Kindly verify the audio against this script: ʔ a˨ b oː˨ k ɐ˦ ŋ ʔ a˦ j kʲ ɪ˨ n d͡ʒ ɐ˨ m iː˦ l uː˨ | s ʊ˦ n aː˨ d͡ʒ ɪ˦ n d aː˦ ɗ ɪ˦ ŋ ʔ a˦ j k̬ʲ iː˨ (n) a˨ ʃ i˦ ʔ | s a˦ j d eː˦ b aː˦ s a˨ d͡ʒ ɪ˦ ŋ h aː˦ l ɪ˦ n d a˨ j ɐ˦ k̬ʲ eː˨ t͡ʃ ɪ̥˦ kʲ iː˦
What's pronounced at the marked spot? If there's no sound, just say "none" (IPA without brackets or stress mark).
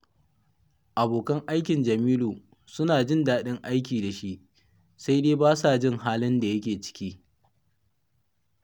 d